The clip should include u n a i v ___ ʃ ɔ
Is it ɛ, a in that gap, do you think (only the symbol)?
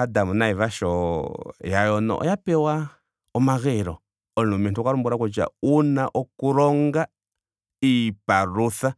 a